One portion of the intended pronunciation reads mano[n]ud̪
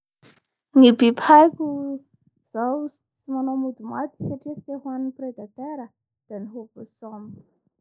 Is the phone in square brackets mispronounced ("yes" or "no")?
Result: yes